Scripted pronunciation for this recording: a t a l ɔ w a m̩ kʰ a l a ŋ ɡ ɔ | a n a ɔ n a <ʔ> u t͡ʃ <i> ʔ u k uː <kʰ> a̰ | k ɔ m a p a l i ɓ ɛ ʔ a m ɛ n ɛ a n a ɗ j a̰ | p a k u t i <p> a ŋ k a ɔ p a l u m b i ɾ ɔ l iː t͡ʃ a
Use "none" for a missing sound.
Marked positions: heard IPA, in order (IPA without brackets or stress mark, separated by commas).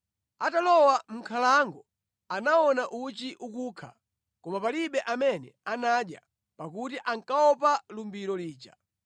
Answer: ʔ, i, kʰ, ʔ